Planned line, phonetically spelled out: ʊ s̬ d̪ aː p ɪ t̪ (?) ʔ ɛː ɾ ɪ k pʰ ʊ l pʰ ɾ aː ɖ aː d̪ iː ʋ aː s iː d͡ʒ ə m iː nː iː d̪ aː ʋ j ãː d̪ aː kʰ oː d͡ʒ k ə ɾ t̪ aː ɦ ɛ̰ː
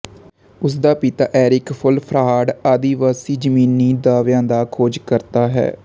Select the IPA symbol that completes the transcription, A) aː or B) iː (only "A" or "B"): A